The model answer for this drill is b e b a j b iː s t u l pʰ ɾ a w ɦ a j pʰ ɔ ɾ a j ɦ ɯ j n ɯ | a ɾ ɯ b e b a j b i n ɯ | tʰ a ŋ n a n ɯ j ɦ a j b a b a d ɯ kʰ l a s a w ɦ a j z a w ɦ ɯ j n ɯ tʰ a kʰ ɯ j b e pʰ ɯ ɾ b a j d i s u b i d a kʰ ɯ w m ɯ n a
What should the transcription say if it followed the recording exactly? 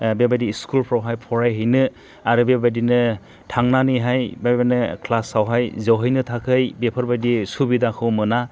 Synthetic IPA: b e b a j d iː s k u l pʰ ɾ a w ɦ a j pʰ ɔ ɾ a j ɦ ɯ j n ɯ | a ɾ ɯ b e b a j d i n ɯ | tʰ a ŋ n a n ɯ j ɦ a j b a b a n ɯ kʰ l a s a w ɦ a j z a w ɦ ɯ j n ɯ tʰ a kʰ ɯ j b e pʰ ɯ ɾ b a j d i s u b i d a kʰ ɯ w m ɯ n a